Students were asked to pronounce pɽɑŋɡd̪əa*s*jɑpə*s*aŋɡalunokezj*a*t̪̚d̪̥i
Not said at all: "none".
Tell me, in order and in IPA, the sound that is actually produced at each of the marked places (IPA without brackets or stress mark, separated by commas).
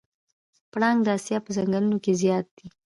s, z, ɑ